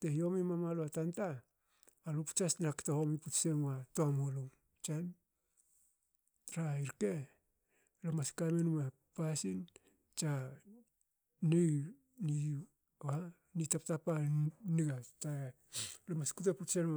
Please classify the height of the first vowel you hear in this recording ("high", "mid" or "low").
mid